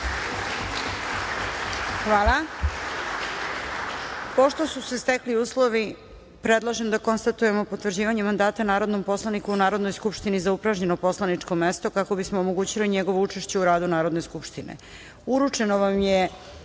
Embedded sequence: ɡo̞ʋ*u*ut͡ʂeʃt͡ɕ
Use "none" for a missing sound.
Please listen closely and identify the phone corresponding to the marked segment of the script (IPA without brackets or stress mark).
o